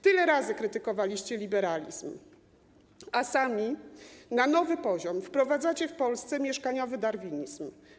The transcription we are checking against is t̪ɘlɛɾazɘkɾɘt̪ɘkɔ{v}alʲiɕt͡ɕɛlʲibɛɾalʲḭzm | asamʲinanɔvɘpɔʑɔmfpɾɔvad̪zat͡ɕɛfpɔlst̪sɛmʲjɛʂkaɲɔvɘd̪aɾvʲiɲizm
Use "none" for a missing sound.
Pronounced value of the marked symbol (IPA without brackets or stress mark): v